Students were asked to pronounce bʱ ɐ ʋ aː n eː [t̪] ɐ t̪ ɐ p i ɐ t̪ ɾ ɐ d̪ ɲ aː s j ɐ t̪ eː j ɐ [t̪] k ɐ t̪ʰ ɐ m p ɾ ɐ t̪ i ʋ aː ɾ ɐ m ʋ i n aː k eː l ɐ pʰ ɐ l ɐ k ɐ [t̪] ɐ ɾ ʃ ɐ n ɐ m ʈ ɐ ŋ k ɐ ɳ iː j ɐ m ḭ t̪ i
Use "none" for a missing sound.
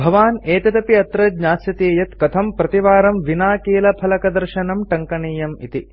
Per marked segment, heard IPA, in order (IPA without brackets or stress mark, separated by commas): t̪, t̪, d̪